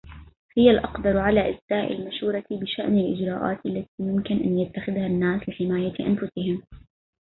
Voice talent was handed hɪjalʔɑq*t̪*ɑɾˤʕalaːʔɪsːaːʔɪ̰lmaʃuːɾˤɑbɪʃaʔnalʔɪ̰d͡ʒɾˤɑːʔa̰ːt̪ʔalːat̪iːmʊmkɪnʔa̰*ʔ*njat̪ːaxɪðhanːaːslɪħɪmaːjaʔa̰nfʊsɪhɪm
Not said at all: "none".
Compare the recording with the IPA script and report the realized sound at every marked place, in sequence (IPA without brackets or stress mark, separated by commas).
d̪, none